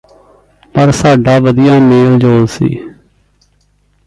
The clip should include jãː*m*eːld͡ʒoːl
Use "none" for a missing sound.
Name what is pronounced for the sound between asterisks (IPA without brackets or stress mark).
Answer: m